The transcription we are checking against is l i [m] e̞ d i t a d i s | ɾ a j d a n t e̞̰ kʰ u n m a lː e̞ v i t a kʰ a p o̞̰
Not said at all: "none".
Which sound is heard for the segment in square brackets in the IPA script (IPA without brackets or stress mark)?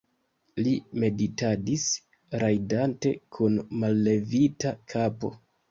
m